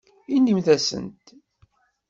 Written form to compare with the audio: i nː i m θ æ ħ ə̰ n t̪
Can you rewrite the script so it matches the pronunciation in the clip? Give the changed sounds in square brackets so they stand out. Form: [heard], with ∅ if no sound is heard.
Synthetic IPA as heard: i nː i m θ æ [s] ə̰ n t̪

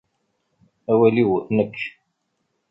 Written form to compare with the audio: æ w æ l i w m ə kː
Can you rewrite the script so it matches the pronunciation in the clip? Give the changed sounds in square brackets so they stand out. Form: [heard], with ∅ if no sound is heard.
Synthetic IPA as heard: æ w æ l i w [n] ə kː

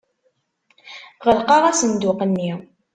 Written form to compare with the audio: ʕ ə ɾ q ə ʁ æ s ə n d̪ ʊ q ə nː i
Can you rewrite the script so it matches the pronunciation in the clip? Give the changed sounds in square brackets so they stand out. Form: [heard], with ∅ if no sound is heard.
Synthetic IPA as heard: [ʁ] ə [l] q [ɑ] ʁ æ s ə n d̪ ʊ q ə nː i

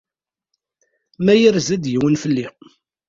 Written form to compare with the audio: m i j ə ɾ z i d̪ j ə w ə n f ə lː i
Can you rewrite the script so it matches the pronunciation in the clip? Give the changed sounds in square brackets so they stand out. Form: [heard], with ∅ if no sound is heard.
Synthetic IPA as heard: m [æ] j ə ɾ z [æ] d̪ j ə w ə n f ə lː i

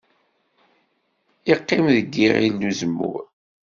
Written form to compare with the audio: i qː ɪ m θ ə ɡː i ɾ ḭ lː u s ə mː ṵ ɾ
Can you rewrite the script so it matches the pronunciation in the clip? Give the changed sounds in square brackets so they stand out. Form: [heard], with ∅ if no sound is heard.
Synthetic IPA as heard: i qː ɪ m [ð] ə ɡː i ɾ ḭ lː u [z] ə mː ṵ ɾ

